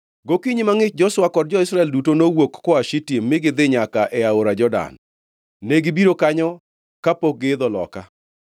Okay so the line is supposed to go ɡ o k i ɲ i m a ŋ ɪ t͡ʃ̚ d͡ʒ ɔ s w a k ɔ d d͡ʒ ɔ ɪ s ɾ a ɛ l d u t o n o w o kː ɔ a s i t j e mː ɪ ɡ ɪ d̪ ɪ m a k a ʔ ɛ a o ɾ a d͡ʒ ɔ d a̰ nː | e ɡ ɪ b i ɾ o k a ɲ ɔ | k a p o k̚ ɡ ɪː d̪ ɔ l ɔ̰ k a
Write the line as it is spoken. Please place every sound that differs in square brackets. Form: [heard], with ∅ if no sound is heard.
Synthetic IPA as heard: ɡ o k i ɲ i m a ŋ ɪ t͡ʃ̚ d͡ʒ ɔ s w a k ɔ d d͡ʒ ɔ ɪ s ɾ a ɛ l d u t o n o w o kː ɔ a [ʃ] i t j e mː ɪ ɡ ɪ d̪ ɪ [ɲ] a k a ʔ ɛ a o ɾ a d͡ʒ ɔ d a̰ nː | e ɡ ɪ b i ɾ o k a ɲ ɔ | k a p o k̚ ɡ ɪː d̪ ɔ l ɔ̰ k a